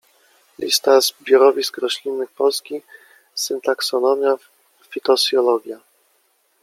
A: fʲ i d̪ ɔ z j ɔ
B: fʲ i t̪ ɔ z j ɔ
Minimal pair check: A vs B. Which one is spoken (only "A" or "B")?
B